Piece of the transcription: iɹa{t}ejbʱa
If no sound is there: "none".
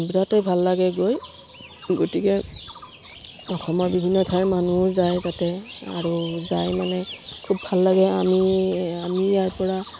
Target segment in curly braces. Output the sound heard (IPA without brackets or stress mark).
t